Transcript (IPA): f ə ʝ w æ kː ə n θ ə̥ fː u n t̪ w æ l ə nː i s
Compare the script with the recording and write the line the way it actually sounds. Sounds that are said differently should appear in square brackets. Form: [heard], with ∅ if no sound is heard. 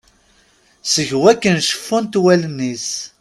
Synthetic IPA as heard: [s] ə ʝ w æ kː ə n [ʃ] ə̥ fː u n t̪ w æ l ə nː i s